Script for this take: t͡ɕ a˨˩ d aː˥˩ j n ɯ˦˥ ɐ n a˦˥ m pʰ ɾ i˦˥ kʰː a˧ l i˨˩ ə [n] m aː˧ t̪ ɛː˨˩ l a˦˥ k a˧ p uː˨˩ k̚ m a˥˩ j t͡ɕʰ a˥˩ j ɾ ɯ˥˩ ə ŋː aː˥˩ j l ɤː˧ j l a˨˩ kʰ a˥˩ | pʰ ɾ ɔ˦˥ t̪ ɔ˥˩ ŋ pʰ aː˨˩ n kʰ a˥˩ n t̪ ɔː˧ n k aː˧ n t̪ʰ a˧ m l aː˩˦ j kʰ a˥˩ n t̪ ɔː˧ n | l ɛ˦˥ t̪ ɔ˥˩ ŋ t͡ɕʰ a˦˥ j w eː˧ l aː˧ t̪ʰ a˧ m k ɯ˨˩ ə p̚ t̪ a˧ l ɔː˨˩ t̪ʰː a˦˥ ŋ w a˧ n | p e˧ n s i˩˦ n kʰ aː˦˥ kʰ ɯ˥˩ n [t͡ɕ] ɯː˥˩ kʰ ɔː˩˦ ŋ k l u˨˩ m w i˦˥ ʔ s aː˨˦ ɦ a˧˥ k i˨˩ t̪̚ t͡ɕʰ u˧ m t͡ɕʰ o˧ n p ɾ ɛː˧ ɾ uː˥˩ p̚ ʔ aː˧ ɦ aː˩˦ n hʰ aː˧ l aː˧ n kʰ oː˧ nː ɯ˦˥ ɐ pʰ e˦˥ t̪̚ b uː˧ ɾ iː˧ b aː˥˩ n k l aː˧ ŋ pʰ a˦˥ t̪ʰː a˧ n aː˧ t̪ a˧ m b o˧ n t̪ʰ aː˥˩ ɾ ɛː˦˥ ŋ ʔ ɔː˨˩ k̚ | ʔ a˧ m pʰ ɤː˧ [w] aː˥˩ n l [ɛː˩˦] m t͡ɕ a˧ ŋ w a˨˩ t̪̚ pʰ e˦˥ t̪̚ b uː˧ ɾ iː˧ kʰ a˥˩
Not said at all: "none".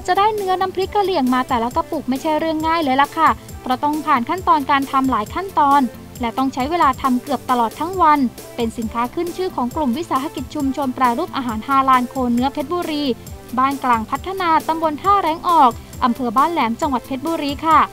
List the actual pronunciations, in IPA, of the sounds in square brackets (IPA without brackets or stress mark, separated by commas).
ŋ, t͡ɕʰ, b, ɛː˩˦